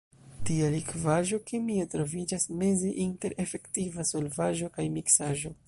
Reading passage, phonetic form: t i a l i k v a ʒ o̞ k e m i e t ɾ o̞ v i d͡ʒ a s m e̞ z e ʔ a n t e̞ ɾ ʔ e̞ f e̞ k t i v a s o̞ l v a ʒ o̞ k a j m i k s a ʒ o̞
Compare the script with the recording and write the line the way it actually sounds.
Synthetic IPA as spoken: t i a l i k v a ʒ o̞ k e m i e t ɾ o̞ v i d͡ʒ a s m e̞ z e ʔ i n t e̞ ɾ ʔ e̞ f e̞ k t i v a s o̞ l v a ʒ o̞ k a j m i k s a ʒ o̞